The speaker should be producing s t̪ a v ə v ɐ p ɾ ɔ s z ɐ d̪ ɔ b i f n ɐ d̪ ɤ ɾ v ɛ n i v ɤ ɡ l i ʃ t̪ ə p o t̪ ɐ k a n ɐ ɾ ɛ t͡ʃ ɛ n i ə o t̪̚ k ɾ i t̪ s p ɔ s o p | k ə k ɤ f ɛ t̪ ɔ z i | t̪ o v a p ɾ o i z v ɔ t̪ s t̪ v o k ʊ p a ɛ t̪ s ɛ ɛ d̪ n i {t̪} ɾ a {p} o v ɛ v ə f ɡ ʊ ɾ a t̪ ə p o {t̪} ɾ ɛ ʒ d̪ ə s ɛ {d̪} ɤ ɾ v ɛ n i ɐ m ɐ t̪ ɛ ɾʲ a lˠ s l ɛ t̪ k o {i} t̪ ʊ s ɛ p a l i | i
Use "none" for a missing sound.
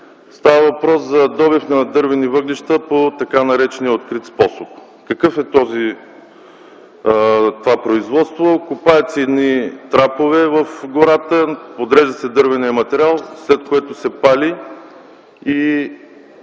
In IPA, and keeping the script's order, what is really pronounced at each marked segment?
t̪, p, d̪, d̪, ɛ

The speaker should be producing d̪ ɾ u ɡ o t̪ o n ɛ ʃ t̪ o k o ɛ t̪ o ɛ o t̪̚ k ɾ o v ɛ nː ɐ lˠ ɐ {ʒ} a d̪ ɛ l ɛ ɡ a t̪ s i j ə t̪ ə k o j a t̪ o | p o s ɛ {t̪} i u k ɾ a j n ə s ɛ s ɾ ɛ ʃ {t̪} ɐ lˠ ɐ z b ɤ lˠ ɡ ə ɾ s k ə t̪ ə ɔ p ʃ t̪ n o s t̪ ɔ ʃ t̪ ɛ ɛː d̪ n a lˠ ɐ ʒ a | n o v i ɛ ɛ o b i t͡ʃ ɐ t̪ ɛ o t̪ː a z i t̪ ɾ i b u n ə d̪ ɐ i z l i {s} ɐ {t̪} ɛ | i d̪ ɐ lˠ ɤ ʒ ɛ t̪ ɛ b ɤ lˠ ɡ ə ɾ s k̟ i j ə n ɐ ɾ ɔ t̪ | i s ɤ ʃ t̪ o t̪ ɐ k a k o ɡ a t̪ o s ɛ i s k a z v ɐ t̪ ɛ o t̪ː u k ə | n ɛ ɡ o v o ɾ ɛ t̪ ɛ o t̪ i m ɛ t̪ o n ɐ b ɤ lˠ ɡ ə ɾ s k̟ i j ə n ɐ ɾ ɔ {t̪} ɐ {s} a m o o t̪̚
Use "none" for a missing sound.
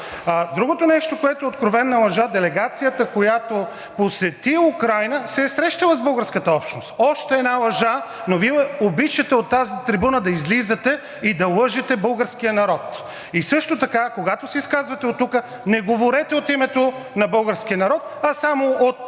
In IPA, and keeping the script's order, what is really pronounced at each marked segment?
ʒ, t̪, t̪, z, t̪, t̪, s

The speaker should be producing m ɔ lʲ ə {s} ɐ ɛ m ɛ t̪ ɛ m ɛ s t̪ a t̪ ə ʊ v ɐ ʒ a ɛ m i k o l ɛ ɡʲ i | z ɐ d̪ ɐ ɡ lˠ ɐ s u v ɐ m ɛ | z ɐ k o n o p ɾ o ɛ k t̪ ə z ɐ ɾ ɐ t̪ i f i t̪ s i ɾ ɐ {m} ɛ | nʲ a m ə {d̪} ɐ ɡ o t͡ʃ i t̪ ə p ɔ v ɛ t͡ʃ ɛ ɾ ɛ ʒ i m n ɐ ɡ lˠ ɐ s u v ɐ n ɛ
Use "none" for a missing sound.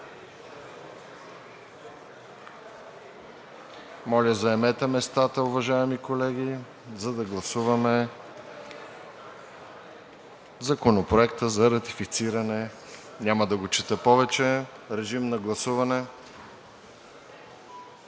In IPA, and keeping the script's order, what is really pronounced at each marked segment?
z, n, d̪

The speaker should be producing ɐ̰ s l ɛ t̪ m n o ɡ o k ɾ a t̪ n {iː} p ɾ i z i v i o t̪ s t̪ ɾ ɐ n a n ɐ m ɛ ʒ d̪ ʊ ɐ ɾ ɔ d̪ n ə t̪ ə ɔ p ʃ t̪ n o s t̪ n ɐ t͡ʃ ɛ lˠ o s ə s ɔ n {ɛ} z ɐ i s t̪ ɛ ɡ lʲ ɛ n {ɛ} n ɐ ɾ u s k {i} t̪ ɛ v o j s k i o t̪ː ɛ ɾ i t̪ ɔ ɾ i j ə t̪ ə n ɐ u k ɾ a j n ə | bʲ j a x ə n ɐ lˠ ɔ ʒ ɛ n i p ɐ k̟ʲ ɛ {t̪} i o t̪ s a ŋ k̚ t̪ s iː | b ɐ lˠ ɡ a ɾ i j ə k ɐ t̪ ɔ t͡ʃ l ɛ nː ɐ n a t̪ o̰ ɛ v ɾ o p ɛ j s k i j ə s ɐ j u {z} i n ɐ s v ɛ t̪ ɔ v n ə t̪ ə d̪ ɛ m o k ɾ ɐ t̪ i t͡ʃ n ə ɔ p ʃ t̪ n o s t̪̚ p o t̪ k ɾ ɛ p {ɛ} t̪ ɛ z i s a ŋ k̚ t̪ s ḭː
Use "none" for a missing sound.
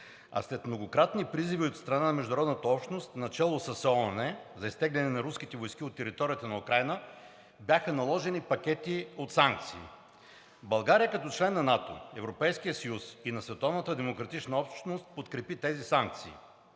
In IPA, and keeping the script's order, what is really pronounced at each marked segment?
i, ɛ, ɛ, i, t̪, s, i

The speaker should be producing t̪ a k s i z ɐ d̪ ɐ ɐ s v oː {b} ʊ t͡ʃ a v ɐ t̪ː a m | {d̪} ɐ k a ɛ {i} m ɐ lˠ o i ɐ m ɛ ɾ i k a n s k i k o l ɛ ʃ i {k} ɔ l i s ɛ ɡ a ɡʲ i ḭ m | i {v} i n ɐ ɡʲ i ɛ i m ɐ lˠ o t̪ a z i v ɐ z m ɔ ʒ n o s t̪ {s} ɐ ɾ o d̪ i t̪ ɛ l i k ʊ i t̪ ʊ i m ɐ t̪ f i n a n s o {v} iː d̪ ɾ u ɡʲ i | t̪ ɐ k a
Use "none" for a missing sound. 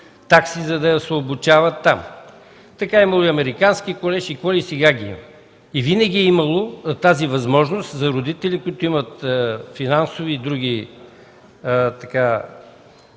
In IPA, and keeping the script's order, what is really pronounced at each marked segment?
b, t̪, i, k, v, z, v

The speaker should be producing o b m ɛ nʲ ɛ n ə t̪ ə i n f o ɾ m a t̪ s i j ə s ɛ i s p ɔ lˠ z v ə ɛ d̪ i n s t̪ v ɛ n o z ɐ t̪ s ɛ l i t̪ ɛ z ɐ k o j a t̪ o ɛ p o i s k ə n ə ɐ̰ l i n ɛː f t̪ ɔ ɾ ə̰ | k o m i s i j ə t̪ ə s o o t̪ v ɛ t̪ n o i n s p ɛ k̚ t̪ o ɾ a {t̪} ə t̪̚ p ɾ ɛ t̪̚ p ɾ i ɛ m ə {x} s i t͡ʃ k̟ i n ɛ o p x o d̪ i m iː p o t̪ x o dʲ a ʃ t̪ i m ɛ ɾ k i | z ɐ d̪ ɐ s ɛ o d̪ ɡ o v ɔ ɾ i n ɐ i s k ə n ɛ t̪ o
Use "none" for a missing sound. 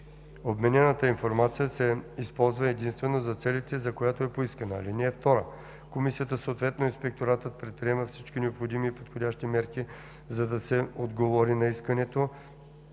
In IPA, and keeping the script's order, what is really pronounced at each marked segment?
t̪, f

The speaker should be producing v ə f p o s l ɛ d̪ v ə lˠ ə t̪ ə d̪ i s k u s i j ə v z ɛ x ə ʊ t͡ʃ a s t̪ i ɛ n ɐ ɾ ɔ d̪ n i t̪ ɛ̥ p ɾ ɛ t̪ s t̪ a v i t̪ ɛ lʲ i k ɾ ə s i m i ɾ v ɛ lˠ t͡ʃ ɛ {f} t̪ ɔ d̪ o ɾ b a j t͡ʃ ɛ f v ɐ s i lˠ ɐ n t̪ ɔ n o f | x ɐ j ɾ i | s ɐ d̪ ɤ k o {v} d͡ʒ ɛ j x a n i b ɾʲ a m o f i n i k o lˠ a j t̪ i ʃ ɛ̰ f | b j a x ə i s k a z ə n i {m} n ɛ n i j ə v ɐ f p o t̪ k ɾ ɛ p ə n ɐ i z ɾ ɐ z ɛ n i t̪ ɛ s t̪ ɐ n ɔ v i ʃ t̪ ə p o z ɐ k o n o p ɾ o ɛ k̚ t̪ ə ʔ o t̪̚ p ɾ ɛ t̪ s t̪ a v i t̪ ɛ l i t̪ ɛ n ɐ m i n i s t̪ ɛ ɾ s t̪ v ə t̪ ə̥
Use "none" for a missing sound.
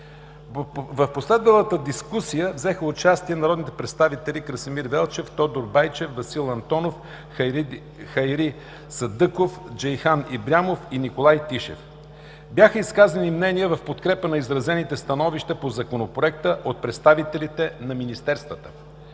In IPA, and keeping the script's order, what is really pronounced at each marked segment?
f, f, m

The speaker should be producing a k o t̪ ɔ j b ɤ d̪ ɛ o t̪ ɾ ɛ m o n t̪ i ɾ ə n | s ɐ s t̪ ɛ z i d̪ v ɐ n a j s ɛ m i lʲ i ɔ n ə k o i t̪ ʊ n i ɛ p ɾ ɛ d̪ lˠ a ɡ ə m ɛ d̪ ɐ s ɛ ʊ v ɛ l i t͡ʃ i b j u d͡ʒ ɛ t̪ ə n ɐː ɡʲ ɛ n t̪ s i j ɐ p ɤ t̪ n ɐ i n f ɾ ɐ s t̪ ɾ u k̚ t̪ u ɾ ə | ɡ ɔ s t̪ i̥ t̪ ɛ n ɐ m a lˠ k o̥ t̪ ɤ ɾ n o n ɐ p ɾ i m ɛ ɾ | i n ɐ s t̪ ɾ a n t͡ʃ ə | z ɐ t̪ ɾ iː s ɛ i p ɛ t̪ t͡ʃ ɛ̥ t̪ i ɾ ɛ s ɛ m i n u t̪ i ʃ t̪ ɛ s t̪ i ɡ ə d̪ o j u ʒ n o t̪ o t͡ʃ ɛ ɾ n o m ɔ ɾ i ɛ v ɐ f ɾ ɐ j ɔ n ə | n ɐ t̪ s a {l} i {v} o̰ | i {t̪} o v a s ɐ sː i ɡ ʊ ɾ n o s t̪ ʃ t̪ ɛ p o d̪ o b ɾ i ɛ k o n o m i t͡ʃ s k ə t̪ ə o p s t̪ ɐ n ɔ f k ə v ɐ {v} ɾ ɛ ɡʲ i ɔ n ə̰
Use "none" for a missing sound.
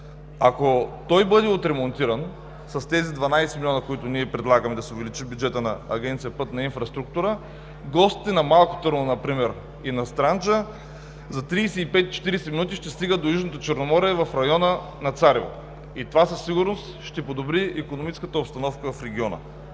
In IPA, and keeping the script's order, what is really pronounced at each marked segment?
ɾ, v, t̪, f

